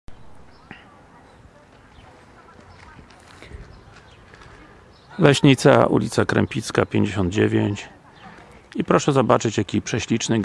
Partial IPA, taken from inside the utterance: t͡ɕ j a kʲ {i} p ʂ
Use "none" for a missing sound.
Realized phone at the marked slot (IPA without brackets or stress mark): i